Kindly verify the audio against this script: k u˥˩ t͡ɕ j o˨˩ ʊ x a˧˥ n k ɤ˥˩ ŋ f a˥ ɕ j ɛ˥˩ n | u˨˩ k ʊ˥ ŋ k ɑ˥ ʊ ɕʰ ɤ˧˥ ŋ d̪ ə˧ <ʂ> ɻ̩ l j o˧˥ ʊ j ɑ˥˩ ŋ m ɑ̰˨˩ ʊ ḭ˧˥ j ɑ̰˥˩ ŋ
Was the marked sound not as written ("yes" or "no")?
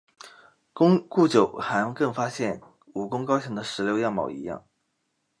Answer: no